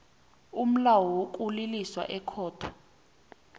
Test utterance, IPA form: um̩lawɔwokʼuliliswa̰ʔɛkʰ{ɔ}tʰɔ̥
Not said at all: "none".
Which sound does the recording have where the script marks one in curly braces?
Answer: ɔː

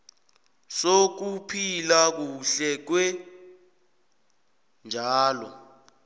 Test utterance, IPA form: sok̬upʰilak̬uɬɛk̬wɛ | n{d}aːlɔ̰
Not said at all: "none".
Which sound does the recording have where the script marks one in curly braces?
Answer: d͡ʒʱ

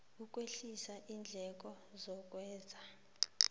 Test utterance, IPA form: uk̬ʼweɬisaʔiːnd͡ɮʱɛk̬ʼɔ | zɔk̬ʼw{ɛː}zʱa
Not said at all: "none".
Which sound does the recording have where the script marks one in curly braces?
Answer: ɛː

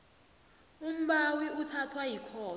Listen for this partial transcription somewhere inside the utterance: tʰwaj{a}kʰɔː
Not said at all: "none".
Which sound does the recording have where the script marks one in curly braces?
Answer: i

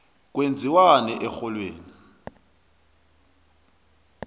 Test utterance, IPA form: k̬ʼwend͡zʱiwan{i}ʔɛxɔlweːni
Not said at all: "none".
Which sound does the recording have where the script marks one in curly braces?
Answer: ɛ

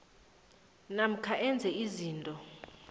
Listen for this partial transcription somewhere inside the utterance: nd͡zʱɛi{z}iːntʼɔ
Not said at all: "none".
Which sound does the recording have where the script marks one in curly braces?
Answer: z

